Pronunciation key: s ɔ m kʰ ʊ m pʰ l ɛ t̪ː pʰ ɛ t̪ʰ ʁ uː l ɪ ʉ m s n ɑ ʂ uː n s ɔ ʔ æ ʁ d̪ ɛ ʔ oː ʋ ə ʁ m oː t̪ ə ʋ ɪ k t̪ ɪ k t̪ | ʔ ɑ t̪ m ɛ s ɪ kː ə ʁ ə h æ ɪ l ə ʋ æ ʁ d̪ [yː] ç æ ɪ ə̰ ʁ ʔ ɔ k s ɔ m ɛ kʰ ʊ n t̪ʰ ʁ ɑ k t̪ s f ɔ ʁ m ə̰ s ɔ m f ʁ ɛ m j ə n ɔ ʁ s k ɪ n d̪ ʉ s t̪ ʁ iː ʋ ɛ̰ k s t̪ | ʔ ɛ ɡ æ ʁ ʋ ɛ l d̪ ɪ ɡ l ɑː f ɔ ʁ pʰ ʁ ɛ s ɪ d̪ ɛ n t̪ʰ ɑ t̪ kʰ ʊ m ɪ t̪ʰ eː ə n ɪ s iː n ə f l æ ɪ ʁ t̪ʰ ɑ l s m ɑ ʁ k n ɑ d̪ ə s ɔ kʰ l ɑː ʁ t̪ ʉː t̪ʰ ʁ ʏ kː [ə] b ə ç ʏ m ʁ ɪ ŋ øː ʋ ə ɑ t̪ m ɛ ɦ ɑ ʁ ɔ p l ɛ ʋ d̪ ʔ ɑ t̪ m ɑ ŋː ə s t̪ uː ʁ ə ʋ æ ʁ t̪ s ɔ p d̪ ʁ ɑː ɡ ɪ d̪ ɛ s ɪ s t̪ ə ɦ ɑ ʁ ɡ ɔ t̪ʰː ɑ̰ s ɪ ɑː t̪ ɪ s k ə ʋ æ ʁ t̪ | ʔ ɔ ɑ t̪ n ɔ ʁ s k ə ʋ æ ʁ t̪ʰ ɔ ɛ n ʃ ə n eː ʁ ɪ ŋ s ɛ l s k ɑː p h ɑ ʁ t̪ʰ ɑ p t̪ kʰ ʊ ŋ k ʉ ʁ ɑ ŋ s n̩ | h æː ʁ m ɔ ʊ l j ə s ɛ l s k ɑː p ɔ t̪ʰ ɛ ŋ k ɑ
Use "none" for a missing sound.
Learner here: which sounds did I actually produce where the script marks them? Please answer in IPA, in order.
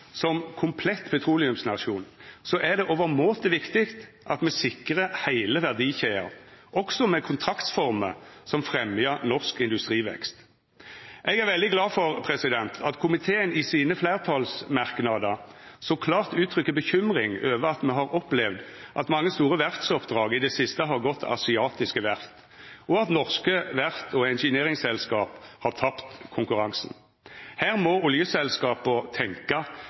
iː, ə

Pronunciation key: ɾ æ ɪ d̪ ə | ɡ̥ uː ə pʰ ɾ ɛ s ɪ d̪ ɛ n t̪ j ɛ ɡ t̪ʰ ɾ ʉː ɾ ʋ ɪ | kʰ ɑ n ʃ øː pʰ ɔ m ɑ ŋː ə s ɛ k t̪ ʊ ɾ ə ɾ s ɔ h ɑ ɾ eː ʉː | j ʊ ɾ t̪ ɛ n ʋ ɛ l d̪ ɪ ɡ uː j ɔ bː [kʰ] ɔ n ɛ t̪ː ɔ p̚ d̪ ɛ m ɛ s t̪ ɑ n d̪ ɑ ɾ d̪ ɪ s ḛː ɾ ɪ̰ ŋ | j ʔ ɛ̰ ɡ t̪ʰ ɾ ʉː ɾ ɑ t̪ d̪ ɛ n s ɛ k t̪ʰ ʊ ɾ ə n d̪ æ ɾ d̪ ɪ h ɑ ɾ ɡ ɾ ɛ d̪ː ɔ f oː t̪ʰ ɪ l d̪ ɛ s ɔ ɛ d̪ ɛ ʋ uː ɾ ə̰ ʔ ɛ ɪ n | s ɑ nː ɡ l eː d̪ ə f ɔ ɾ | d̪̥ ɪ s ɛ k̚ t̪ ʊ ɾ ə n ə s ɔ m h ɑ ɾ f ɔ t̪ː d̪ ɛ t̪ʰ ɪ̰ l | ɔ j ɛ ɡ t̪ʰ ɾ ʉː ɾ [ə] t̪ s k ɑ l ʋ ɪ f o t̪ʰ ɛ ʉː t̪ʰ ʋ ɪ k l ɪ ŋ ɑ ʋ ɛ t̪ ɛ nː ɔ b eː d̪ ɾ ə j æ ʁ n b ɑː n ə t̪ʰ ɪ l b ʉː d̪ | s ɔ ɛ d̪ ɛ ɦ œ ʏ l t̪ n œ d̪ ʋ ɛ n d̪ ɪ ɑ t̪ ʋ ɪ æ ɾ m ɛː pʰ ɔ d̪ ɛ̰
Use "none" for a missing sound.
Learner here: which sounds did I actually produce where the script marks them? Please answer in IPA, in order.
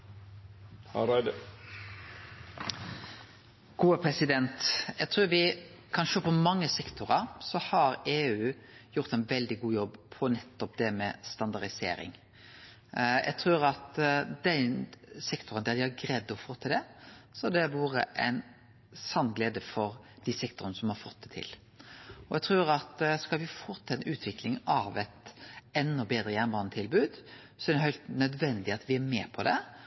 pʰ, ɑ

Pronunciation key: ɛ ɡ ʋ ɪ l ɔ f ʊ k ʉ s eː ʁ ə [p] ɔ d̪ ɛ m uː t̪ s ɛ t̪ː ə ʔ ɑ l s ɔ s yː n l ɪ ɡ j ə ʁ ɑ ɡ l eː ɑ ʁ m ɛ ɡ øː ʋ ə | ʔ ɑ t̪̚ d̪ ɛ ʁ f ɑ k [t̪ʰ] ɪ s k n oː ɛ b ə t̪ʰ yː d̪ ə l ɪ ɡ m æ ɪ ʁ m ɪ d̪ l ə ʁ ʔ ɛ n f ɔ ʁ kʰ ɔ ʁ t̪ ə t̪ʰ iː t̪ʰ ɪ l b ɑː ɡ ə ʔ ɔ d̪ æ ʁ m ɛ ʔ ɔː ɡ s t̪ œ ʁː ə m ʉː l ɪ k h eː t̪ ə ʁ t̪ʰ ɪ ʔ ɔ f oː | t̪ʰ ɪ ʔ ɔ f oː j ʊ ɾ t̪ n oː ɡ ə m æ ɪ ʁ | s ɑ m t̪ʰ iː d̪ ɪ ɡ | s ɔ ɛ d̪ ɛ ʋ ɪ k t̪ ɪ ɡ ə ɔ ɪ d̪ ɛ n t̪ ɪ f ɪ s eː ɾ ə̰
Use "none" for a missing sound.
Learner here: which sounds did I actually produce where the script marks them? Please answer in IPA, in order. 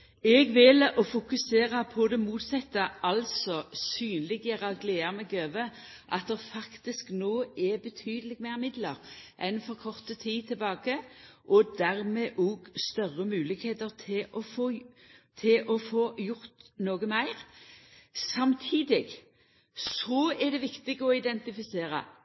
pʰ, t̪

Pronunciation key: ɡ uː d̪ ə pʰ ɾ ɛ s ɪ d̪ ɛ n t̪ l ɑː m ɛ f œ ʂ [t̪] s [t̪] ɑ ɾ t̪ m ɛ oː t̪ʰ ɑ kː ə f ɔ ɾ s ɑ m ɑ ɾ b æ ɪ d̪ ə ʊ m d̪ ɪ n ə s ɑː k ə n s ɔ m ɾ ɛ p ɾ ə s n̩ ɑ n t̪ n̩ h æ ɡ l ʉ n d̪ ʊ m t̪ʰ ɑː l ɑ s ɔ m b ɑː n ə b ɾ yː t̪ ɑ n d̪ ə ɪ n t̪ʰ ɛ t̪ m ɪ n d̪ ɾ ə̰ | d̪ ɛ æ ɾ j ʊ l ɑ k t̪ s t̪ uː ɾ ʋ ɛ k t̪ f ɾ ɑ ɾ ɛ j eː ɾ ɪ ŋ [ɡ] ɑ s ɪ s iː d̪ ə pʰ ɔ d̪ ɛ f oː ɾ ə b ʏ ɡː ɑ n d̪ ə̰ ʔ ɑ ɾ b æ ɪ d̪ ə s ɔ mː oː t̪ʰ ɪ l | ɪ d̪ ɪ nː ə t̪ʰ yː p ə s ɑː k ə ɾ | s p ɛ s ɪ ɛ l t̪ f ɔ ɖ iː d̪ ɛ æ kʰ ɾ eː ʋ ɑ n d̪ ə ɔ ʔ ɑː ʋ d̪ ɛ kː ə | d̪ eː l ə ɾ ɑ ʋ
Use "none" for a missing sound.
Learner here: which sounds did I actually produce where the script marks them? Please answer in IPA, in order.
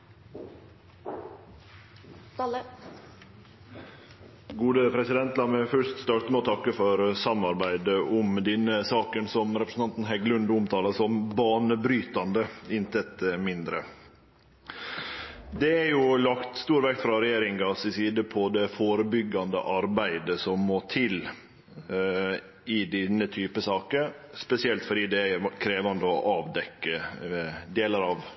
t̪, t̪, ɡ

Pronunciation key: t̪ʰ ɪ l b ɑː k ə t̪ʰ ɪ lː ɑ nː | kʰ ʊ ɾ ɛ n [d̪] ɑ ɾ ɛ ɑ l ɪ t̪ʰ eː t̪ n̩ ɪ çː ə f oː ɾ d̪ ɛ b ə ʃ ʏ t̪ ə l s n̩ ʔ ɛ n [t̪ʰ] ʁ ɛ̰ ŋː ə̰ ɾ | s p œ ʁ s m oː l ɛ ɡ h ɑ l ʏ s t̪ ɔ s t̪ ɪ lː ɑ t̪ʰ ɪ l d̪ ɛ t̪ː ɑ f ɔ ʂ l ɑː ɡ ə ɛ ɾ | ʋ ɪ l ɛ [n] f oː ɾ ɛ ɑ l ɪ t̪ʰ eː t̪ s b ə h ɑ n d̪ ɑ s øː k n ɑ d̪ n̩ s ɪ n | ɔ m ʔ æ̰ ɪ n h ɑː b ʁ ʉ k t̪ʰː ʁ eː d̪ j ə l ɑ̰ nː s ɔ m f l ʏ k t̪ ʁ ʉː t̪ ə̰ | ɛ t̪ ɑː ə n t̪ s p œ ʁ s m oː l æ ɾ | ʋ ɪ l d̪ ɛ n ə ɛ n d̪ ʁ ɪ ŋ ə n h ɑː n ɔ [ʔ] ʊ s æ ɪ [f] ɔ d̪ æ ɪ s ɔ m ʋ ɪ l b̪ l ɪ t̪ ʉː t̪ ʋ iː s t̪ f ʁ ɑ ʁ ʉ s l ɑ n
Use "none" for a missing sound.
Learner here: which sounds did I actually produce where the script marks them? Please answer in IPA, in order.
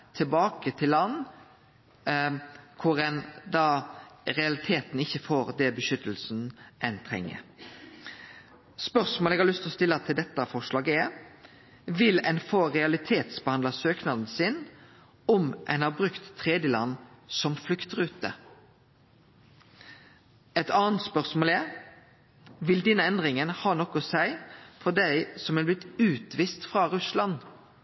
d̪, t̪ʰ, n, k, f

